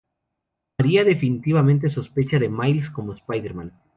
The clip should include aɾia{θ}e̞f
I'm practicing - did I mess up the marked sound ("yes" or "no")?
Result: yes